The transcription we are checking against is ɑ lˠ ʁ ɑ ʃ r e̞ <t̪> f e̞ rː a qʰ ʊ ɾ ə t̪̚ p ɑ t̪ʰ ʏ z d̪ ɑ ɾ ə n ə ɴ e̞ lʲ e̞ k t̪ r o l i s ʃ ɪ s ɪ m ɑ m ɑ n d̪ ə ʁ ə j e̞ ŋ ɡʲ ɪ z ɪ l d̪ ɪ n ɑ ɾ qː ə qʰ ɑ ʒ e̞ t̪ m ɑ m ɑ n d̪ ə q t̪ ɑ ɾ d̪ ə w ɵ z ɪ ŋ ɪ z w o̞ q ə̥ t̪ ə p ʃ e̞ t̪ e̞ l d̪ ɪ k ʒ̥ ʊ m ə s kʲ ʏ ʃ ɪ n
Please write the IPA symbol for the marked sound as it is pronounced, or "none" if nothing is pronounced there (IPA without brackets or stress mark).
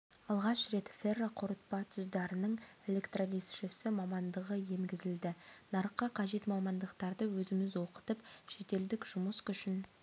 t̪